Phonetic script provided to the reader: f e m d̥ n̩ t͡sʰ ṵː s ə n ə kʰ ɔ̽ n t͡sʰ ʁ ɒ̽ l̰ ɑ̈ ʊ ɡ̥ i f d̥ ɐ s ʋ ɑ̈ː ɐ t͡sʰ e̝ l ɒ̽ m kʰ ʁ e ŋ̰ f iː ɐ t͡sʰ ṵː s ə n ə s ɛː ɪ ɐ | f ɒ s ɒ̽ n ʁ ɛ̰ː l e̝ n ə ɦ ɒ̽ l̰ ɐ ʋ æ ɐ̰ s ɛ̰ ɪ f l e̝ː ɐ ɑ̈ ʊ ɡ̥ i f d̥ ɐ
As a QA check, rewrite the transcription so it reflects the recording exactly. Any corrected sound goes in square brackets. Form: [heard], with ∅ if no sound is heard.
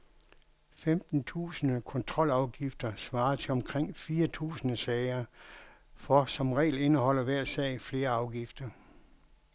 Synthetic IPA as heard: f e m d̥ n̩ t͡sʰ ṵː s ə n ə kʰ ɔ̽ n t͡sʰ ʁ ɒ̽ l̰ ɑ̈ ʊ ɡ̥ i f d̥ ɐ s ʋ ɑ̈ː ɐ t͡sʰ e̝ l ɒ̽ m kʰ ʁ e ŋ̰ f iː ɐ t͡sʰ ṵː s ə n ə s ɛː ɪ ɐ | f ɒ s ɒ̽ [m] ʁ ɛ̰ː l e̝ n ə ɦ ɒ̽ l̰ ɐ ʋ æ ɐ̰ s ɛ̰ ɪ f l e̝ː ɐ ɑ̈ ʊ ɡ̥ i f d̥ ɐ